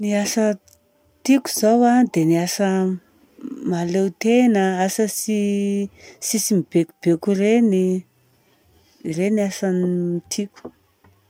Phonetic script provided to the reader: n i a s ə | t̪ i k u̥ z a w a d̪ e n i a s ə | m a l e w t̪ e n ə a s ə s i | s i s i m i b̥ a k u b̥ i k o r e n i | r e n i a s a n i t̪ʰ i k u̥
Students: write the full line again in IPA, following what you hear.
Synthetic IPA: n i a s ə | t̪ i k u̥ z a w a d̪ e n i a s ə | m a l e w t̪ e n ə a s ə s i | s i s i m i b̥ e k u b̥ e k u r e n i | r e n i a s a n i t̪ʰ i k u̥